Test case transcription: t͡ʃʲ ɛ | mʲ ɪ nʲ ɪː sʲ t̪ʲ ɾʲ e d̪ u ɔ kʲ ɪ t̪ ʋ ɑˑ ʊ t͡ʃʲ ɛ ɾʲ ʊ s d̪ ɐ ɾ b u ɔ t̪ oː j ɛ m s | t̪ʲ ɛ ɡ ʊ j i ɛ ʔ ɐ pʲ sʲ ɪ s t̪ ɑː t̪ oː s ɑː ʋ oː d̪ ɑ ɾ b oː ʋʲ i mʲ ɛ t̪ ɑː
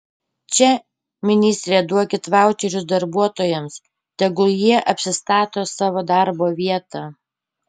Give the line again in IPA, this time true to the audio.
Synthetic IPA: t͡ʃʲ ɛ | mʲ ɪ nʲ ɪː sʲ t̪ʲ ɾʲ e d̪ u ɔ kʲ ɪ t̪ ʋ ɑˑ ʊ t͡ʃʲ ɛ ɾʲ ʊ s d̪ ɐ ɾ b u ɔ t̪ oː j ɛ m s | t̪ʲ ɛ ɡ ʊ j i ɛ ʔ ɐ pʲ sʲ ɪ s t̪ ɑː t̪ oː s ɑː ʋ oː d̪ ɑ ɾ b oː ʋʲ i ɛ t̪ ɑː